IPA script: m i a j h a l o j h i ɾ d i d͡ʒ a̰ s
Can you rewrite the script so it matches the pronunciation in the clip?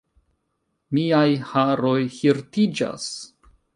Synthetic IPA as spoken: m i a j h a ɾ o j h i ɾ t i d͡ʒ a̰ s